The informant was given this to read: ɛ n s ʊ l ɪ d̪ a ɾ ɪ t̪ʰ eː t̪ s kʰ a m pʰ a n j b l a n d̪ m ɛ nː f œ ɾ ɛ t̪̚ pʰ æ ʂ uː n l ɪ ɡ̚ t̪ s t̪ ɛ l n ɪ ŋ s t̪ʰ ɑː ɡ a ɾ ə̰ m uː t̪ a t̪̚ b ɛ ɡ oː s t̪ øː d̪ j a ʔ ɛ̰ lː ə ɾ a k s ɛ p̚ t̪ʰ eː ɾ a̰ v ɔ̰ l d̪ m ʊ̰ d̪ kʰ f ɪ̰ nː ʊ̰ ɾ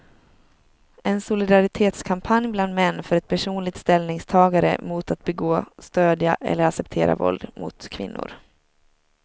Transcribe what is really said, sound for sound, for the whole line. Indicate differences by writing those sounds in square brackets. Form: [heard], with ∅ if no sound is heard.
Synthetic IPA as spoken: ɛ n s ʊ l ɪ d̪ a ɾ ɪ t̪ʰ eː t̪ s kʰ a m pʰ a n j b l a n d̪ m ɛ nː f œ ɾ ɛ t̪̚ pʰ æ ʂ uː n l ɪ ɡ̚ t̪ s t̪ ɛ l n ɪ ŋ s t̪ʰ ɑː ɡ a ɾ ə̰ m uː t̪ a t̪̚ b ɛ ɡ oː s t̪ øː d̪ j a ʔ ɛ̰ lː ə ɾ a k s ɛ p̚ t̪ʰ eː ɾ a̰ v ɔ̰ l d̪ m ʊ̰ [t̪] kʰ [v] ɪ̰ nː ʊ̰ ɾ

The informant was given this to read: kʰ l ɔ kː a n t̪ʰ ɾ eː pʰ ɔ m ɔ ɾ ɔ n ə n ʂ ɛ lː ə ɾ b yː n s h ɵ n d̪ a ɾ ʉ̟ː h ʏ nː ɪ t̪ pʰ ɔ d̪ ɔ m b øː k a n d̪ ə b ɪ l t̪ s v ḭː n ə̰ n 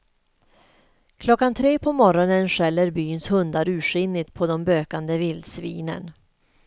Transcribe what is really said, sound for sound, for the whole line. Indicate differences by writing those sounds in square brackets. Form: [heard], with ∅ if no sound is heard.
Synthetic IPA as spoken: kʰ l ɔ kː a n t̪ʰ ɾ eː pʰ ɔ m ɔ ɾ ɔ n ə n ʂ ɛ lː ə ɾ b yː n s h ɵ n d̪ a ɾ ʉ̟ː [ʂ] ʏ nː ɪ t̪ pʰ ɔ d̪ ɔ m b øː k a n d̪ ə [v] ɪ l [d̪] s v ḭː n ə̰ n

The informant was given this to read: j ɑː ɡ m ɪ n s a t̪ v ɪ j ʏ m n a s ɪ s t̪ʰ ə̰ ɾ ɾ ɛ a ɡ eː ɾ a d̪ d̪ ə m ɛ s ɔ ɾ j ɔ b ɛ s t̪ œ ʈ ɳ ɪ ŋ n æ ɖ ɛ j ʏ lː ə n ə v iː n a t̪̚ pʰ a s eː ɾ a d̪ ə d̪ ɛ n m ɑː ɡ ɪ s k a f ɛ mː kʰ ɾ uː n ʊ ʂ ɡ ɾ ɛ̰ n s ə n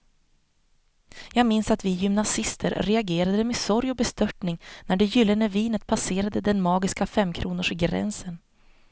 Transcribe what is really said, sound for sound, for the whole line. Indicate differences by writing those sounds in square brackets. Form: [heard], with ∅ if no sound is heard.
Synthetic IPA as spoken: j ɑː ɡ m ɪ n s a t̪ v ɪ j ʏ m n a s ɪ s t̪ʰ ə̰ ɾ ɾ ɛ a ɡ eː ɾ a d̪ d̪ ə m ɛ s ɔ ɾ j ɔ b ɛ s t̪ œ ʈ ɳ ɪ ŋ n æ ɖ ɛ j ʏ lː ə n ə v iː n [ə] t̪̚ pʰ a s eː ɾ a d̪ ə d̪ ɛ n m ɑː ɡ ɪ s k a f ɛ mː kʰ ɾ uː n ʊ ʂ ɡ ɾ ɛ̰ n s ə n

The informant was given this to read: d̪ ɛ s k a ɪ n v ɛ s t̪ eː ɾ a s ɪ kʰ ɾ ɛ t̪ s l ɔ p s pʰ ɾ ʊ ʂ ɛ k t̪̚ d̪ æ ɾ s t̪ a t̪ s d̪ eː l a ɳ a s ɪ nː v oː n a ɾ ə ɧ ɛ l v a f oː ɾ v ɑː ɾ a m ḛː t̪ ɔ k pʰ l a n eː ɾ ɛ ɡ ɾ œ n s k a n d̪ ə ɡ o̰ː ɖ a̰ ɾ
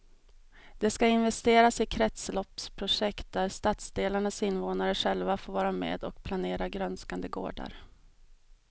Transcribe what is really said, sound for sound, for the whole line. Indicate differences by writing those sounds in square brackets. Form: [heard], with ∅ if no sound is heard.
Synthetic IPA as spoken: d̪ ɛ s k a ɪ n v ɛ s t̪ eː ɾ a s ɪ kʰ ɾ ɛ t̪ s l ɔ p s pʰ ɾ ʊ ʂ ɛ k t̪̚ d̪ æ ɾ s t̪ a t̪ s d̪ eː l a ɳ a s ɪ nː v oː n a ɾ ə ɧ ɛ l v a f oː ɾ v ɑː ɾ a m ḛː [d̪] ɔ k pʰ l a n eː ɾ [a] ɡ ɾ œ n s k a n d̪ ə ɡ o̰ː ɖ a̰ ɾ

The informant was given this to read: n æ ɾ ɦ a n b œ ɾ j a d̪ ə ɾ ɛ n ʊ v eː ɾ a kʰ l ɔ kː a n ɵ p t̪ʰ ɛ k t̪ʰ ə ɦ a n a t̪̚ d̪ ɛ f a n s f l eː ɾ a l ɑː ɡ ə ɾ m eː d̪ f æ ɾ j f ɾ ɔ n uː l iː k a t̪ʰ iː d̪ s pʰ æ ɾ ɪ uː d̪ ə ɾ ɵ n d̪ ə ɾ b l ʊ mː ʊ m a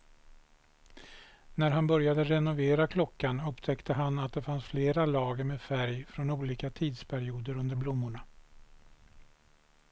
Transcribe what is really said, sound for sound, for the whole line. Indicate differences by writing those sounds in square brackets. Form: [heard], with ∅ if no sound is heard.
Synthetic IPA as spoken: n æ ɾ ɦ a n b œ ɾ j a d̪ ə ɾ ɛ n ʊ v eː ɾ a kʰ l ɔ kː a n ɵ p t̪ʰ ɛ k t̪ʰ ə ɦ a n a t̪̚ d̪ ɛ f a n s f l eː ɾ a l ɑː ɡ ə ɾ m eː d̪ f æ ɾ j f ɾ ɔ n uː l iː k a t̪ʰ iː d̪ s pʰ æ ɾ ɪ uː d̪ ə ɾ ɵ n d̪ ə ɾ b l ʊ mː ʊ [ɳ] a

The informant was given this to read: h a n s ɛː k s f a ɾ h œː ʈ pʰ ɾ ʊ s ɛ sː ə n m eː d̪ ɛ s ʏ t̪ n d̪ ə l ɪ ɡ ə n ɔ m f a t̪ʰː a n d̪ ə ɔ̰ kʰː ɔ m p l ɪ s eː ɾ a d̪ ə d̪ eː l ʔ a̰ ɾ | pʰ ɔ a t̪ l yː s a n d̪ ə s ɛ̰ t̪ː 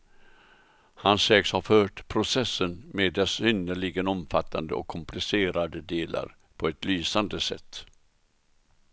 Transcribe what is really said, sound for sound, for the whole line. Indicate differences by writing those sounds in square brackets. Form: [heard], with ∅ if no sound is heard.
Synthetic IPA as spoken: h a n s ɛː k s [h] a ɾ [f] œː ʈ pʰ ɾ ʊ s ɛ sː ə n m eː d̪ ɛ s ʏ [∅] n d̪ ə [ɭ] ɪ ɡ ə n ɔ m f a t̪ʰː a n d̪ ə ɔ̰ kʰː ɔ m p l ɪ s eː ɾ a d̪ ə d̪ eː l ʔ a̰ ɾ | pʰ ɔ [ɛ] t̪ l yː s a n d̪ ə s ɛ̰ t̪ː

